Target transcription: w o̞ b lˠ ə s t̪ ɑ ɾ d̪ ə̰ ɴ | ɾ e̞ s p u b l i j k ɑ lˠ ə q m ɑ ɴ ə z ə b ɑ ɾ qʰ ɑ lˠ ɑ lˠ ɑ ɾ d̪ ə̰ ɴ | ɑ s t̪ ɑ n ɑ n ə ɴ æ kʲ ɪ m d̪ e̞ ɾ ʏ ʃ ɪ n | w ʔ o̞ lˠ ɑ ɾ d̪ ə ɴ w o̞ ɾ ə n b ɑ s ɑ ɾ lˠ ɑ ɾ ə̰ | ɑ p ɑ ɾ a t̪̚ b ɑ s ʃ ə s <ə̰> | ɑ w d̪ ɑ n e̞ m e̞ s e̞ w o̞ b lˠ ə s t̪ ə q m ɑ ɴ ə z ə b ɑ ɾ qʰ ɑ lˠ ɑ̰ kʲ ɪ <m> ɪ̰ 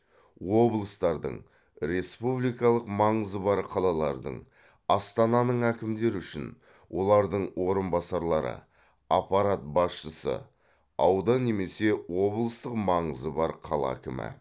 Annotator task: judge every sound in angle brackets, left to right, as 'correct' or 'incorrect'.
correct, correct

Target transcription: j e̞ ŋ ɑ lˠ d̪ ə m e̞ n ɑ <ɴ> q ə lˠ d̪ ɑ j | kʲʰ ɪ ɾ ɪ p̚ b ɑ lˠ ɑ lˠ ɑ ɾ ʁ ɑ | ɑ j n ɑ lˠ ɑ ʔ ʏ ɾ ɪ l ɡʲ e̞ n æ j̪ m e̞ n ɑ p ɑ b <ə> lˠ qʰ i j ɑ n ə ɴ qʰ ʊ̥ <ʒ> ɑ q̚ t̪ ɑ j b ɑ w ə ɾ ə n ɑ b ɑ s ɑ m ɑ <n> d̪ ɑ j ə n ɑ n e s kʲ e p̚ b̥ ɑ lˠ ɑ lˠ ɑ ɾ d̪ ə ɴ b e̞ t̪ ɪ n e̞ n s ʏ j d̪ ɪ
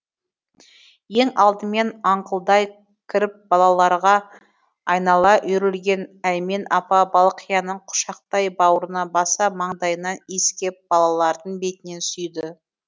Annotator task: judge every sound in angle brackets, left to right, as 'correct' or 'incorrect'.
correct, incorrect: ɑ, incorrect: ʃ, incorrect: ɴ

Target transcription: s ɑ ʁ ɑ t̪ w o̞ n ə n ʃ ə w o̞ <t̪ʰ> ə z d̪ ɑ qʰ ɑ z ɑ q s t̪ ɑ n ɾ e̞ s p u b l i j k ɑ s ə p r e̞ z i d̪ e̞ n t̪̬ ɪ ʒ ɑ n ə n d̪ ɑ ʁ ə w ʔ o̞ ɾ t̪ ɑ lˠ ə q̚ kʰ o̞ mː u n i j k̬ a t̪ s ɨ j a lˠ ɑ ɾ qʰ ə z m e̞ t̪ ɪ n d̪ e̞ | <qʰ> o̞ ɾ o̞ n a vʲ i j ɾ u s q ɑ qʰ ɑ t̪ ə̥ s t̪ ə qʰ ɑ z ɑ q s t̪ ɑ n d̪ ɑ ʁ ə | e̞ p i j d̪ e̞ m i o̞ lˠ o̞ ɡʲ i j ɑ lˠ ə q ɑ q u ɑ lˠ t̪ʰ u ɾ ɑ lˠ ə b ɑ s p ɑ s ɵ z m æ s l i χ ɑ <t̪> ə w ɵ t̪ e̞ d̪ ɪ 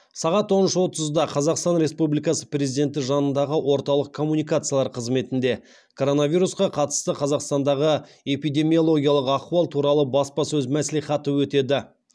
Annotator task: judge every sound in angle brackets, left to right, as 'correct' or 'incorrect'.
incorrect: t̪, incorrect: kʰ, correct

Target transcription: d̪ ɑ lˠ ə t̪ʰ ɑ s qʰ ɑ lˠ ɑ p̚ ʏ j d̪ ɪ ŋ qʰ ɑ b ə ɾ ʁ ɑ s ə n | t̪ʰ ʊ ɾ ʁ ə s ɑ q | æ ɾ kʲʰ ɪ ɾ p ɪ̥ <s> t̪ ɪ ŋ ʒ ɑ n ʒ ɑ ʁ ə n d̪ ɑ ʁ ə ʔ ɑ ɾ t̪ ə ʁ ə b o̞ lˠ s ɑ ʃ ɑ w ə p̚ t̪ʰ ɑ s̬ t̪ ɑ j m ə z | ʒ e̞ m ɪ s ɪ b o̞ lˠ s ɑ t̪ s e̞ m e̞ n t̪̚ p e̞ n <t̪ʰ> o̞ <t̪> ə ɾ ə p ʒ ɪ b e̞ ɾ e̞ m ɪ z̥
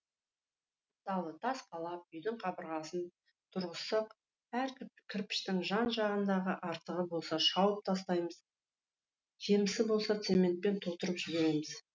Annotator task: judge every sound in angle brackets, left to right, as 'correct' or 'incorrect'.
incorrect: ʃ, correct, correct

